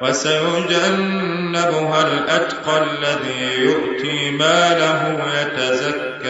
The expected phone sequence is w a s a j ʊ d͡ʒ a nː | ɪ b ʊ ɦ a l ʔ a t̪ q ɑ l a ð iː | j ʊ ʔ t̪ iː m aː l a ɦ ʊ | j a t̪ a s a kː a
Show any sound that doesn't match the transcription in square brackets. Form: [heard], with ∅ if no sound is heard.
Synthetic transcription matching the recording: w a s a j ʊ d͡ʒ a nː | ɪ b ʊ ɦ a l ʔ a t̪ q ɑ [lː] a ð iː | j ʊ ʔ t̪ iː m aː l a ɦ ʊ | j a t̪ a [z] a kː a